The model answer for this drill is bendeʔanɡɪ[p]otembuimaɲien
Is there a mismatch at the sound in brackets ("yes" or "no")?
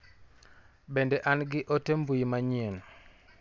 yes